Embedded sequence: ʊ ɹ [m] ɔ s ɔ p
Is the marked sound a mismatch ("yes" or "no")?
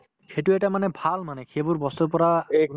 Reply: yes